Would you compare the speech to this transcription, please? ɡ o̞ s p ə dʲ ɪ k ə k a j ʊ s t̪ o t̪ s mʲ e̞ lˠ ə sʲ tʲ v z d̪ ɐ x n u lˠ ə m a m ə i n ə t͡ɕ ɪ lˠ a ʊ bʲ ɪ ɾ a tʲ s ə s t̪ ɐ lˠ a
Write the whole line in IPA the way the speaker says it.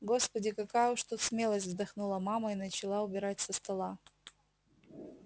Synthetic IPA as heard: ɡ o̞ s p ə dʲ ɪ k ɐ k a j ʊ ʂ t̪ u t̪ s mʲ e̞ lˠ ə sʲ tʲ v z d̪ ɐ x n u lˠ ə m a m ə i n ə t͡ɕ ɪ lˠ a ʊ bʲ ɪ ɾ a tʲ s ə s t̪ ɐ lˠ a